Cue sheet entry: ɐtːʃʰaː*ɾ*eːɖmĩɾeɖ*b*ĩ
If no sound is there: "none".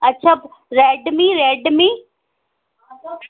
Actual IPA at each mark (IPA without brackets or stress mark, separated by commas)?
ɾ, m